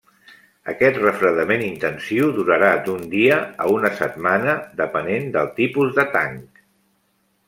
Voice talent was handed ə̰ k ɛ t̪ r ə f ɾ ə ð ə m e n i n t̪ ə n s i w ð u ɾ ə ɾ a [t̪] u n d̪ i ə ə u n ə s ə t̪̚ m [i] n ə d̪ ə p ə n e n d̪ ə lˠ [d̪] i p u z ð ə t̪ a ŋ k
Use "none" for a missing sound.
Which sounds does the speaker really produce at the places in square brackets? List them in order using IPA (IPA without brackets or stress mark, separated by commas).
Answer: d̪, a, t̪